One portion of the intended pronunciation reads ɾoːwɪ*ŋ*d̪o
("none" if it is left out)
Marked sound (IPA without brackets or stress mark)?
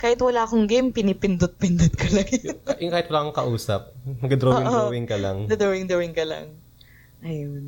ŋ